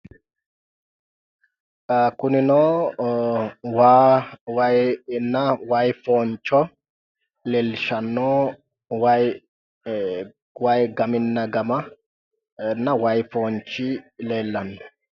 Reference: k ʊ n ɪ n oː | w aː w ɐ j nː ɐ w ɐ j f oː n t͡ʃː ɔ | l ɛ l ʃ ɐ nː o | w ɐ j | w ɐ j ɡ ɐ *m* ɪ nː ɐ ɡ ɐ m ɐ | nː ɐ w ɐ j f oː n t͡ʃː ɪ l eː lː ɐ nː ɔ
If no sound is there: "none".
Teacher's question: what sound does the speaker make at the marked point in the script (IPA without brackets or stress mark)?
m